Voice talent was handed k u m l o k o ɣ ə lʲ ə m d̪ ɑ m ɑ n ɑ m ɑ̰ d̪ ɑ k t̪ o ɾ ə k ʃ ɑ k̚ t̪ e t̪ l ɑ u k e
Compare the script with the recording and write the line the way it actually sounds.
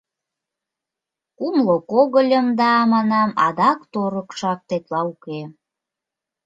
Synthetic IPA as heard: k u m l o k o ɣ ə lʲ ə m d̪ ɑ m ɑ n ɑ m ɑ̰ d̪ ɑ k t̪ o ɾ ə k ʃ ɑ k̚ t̪ e t̪ l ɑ u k e